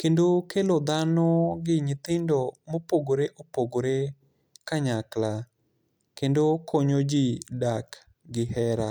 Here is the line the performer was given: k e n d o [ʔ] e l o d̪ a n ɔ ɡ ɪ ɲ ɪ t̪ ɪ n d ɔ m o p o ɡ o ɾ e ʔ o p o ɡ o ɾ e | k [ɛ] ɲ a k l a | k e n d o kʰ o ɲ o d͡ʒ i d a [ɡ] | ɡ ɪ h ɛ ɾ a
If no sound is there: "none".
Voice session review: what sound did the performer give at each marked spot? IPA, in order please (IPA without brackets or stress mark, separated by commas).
k, a, k